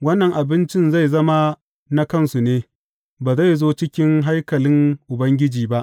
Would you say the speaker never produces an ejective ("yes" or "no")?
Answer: yes